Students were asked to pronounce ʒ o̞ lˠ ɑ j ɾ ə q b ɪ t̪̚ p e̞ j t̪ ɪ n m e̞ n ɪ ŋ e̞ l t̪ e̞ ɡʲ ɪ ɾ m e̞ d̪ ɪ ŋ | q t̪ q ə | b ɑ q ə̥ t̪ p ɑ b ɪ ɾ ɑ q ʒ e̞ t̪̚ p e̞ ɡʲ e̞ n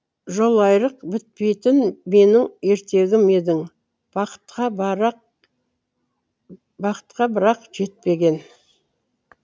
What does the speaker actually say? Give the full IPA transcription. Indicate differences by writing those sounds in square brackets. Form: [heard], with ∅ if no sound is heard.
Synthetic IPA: ʒ o̞ lˠ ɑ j ɾ ə q b ɪ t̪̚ p e̞ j t̪ ɪ n m e̞ n ɪ ŋ e̞ [ɾ] t̪ e̞ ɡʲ ɪ [∅] m e̞ d̪ ɪ ŋ | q t̪ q [ɑ] | b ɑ q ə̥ t̪ [q] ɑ b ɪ ɾ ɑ q ʒ e̞ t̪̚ p e̞ ɡʲ e̞ n

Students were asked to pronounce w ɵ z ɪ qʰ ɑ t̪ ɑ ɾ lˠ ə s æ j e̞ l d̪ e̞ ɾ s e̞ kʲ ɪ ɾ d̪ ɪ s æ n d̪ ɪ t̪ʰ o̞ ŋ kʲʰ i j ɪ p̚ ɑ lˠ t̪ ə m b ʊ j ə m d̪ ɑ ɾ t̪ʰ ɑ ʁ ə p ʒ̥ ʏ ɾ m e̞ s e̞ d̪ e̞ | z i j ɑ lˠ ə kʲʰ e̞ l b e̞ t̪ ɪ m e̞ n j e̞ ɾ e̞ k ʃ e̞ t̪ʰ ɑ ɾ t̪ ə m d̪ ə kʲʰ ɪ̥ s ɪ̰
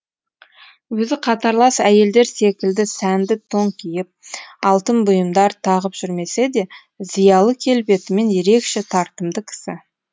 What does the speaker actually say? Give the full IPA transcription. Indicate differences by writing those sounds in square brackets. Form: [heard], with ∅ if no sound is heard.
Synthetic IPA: w ɵ z ɪ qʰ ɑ t̪ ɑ ɾ lˠ [ɑ] s æ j e̞ l d̪ e̞ ɾ s e̞ kʲ ɪ [l] d̪ ɪ s æ n d̪ ɪ t̪ʰ o̞ ŋ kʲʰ i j ɪ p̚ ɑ lˠ t̪ ə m b ʊ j ə m d̪ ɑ ɾ t̪ʰ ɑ ʁ ə p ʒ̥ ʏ ɾ m e̞ s e̞ d̪ e̞ | z i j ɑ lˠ ə kʲʰ e̞ l b e̞ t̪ ɪ m e̞ n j e̞ ɾ e̞ k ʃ e̞ t̪ʰ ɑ ɾ t̪ ə m d̪ ə kʲʰ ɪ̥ s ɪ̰

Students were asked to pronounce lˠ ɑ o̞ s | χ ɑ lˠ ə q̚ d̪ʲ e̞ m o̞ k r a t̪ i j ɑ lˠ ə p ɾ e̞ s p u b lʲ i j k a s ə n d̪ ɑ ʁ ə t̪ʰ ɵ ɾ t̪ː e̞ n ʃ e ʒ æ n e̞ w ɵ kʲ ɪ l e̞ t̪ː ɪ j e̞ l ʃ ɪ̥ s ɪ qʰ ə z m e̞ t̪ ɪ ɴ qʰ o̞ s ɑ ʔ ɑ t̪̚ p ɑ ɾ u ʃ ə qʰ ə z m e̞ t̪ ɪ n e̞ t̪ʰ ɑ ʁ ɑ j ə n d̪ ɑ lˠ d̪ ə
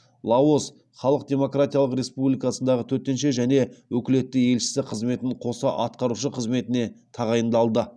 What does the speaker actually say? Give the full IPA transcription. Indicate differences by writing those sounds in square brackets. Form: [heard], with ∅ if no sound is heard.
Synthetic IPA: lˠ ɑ o̞ s | χ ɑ lˠ ə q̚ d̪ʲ e̞ m o̞ k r a t̪ i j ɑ lˠ ə [q] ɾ e̞ s p u b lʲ i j k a s ə n d̪ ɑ ʁ ə t̪ʰ ɵ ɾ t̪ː e̞ n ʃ e ʒ æ n e̞ w ɵ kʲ ɪ l e̞ t̪ː ɪ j e̞ l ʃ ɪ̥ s ɪ qʰ ə z m e̞ t̪ ɪ ɴ qʰ o̞ s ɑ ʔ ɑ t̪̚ [q] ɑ ɾ u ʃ ə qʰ ə z m e̞ t̪ ɪ n e̞ t̪ʰ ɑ ʁ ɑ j ə n d̪ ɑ lˠ d̪ ə

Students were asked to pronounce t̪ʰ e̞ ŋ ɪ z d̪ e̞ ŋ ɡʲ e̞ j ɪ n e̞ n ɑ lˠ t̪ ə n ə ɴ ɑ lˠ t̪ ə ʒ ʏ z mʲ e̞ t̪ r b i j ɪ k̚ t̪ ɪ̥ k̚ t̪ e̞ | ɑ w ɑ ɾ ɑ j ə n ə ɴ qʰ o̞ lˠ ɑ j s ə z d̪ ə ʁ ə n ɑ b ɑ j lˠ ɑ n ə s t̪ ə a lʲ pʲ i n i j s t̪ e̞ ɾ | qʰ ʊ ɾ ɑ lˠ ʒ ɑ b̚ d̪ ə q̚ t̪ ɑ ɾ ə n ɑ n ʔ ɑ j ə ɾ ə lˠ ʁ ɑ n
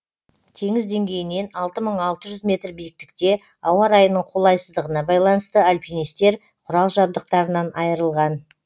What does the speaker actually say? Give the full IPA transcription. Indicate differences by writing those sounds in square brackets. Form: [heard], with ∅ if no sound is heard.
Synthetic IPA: t̪ʰ e̞ ŋ ɪ z d̪ e̞ ŋ ɡʲ e̞ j ɪ n e̞ n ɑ lˠ t̪ ə [m] ə ɴ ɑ lˠ t̪ ə ʒ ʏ z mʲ e̞ t̪ r b i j ɪ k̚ t̪ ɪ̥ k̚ t̪ e̞ | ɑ w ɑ ɾ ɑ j ə n ə ɴ qʰ o̞ lˠ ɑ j s ə z d̪ ə ʁ ə n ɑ b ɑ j lˠ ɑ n ə s t̪ ə a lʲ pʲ i n i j s t̪ e̞ ɾ | qʰ ʊ ɾ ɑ lˠ ʒ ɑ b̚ d̪ ə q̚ t̪ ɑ ɾ ə n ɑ n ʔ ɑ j ə ɾ ə lˠ ʁ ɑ n

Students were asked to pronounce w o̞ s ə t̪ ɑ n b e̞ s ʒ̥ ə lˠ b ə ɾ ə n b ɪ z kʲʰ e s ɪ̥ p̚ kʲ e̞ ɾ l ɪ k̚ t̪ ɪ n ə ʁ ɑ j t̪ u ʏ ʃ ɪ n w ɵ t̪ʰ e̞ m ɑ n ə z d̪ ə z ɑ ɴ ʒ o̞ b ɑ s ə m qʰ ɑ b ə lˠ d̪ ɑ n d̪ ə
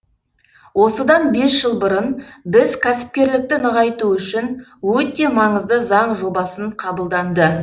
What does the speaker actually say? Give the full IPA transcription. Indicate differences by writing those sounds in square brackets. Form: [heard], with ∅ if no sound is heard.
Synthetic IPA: w o̞ s ə [d̪] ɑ n b e̞ s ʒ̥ ə lˠ b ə ɾ ə n b ɪ z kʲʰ [æ] s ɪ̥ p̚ kʲ e̞ ɾ l ɪ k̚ t̪ ɪ n ə ʁ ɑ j t̪ u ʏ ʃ ɪ n w ɵ [t̪] e̞ m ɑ [ɴ] ə z d̪ ə z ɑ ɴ ʒ o̞ b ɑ s ə [ɴ] qʰ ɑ b ə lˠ d̪ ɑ n d̪ ə

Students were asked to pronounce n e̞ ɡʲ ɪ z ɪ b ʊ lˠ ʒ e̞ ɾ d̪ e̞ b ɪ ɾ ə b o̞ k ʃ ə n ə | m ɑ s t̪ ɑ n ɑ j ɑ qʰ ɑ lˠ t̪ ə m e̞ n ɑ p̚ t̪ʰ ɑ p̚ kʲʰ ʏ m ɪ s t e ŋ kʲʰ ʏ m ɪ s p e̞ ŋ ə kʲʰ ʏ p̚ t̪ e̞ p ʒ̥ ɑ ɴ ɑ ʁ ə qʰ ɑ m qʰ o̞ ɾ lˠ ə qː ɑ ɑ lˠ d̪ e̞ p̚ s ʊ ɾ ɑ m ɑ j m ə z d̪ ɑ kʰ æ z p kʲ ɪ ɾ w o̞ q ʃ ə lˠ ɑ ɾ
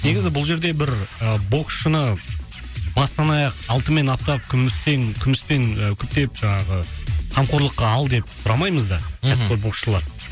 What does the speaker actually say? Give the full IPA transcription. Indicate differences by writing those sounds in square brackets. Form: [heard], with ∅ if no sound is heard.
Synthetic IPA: n e̞ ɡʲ ɪ z ɪ b ʊ lˠ ʒ e̞ ɾ d̪ e̞ b ɪ ɾ ə b o̞ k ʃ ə n ə | [b] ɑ s t̪ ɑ n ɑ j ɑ [q] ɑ lˠ t̪ ə m e̞ n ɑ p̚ [t̪] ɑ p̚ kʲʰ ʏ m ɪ s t e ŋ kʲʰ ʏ m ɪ s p e̞ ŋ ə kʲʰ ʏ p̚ t̪ e̞ p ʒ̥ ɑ ɴ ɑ ʁ ə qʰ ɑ m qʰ o̞ ɾ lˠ ə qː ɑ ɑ lˠ d̪ e̞ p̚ s ʊ ɾ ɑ m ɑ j m ə z d̪ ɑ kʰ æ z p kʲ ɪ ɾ [b] o̞ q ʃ ə lˠ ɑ ɾ

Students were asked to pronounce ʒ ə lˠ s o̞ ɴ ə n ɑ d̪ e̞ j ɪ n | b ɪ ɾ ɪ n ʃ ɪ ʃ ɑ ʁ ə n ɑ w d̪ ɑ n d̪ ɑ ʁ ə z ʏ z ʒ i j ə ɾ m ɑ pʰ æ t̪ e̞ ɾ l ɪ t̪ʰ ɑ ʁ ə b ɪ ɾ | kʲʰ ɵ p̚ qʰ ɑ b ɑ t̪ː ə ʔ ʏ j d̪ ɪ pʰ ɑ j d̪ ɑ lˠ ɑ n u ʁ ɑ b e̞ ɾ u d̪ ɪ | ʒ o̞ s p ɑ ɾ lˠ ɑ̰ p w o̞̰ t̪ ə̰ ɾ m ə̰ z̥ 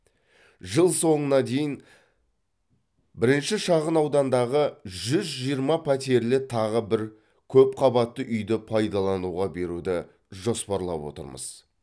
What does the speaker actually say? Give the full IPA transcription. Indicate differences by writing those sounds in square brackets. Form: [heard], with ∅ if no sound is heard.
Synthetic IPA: ʒ ə lˠ s o̞ ɴ ə n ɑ d̪ e̞ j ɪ n | b ɪ ɾ ɪ n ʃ ɪ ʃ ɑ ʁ ə n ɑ w d̪ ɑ n d̪ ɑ ʁ ə [ʒ] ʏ z ʒ i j ə ɾ m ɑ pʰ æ t̪ e̞ ɾ l ɪ t̪ʰ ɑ ʁ ə b ɪ ɾ | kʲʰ ɵ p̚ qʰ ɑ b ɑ t̪ː ə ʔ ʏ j d̪ ɪ pʰ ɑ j d̪ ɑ lˠ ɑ n u ʁ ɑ b e̞ ɾ u d̪ ɪ | ʒ o̞ s p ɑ ɾ lˠ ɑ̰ p w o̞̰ t̪ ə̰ ɾ m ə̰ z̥

